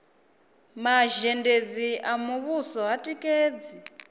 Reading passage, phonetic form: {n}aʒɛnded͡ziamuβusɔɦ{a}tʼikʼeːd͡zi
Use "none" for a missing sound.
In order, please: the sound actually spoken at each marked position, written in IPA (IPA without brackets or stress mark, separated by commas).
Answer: m, a